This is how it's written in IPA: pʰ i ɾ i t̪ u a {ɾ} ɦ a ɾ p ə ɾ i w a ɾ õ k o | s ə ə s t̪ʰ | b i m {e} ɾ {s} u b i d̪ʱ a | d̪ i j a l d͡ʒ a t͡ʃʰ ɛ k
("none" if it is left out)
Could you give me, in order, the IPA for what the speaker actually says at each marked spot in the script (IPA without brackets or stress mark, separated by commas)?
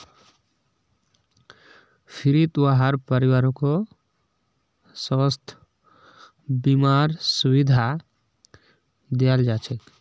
none, a, s